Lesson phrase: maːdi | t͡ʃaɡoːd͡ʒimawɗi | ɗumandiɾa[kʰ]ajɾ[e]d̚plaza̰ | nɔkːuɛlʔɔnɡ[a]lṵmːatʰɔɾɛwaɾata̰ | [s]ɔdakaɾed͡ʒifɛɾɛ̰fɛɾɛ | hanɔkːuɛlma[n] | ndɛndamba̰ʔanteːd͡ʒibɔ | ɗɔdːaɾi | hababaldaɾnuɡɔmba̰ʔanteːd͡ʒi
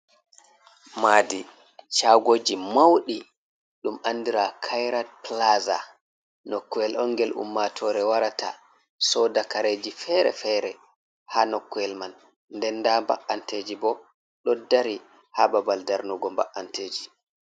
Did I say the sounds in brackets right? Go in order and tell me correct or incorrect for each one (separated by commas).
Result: correct, incorrect, incorrect, correct, correct